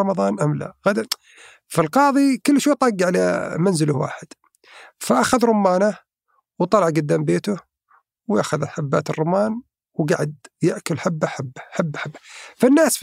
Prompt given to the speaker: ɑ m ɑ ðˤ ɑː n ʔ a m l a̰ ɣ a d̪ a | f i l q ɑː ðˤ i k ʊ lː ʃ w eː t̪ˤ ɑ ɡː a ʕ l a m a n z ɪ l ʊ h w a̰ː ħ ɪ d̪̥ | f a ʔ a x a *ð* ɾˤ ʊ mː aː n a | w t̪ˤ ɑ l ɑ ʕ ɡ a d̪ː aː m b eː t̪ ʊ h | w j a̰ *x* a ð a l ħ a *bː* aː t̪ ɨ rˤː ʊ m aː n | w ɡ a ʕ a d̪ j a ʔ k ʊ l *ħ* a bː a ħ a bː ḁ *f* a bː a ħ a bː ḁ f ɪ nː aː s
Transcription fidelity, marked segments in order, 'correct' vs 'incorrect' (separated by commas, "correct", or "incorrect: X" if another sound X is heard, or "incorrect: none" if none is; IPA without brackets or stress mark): correct, correct, correct, correct, incorrect: ħ